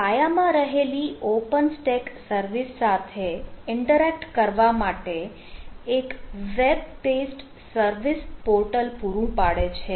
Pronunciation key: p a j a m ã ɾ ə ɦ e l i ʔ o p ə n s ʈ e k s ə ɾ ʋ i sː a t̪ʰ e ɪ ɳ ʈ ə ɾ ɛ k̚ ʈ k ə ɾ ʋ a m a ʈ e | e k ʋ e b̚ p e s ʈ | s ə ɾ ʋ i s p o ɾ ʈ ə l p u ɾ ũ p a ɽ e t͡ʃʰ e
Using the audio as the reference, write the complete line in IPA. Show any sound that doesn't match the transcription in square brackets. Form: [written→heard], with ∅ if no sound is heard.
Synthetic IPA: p a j a m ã ɾ ə ɦ e l i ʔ o p ə n s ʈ e k s ə ɾ ʋ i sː a t̪ʰ e ɪ ɳ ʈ ə ɾ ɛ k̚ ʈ k ə ɾ ʋ a m a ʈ e | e k ʋ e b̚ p e s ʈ | s ə ɾ ʋ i s p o ɾ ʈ ə l p u ɾ ũ p a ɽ e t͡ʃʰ e